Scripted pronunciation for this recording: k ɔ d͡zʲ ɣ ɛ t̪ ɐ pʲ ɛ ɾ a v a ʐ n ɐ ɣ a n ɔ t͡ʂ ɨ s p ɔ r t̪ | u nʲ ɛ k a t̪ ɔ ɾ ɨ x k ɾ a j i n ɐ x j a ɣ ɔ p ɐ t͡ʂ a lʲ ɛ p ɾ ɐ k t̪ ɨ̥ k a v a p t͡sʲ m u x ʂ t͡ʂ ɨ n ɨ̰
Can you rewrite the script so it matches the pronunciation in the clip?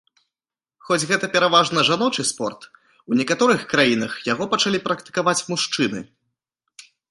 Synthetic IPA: x ɔ d͡zʲ ɣ ɛ t̪ ɐ pʲ ɛ ɾ a v a ʐ n ɐ ʐ a n ɔ t͡ʂ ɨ s p ɔ r t̪ | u nʲ ɛ k a t̪ ɔ ɾ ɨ x k ɾ a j i n ɐ x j a ɣ ɔ p ɐ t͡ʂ a lʲ i p ɾ ɐ k t̪ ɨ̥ k a v a t͡sʲ m u ʂ t͡ʂ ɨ n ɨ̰